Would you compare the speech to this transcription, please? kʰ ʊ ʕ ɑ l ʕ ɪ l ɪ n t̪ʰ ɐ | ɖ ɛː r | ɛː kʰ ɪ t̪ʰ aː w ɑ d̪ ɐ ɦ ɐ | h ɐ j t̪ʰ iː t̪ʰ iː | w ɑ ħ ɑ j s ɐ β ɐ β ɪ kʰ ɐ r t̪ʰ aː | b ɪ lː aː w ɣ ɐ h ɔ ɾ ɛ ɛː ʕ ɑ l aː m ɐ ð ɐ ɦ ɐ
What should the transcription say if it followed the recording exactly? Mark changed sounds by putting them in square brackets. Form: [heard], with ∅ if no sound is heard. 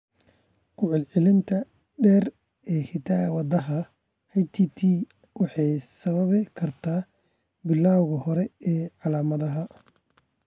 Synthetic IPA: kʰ ʊ ʕ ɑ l ʕ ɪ l ɪ n t̪ʰ ɐ | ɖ ɛː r | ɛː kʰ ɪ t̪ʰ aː w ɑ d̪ ɐ ɦ ɐ | h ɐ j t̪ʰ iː t̪ʰ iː | w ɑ ħ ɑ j s ɐ β ɐ β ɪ kʰ ɐ r t̪ʰ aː | b ɪ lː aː w ɣ ɐ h ɔ ɾ ɛ ɛː ʕ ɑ l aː m ɐ ð ɐ ɦ ɐ